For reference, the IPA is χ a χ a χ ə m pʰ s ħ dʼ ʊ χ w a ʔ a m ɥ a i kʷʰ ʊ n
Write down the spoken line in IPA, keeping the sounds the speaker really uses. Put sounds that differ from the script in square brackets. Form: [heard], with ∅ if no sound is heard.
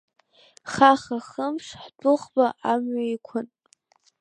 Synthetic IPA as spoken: χ a χ a χ ə m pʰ [ʂ] ħ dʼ ʊ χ [b] a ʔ a m ɥ a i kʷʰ ʊ n